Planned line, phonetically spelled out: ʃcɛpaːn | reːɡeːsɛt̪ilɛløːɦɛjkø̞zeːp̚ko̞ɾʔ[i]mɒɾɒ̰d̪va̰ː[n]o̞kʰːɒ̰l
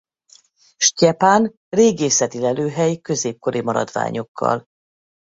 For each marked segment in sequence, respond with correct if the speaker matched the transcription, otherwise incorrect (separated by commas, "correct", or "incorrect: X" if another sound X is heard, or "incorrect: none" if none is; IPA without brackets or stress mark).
correct, incorrect: ɲ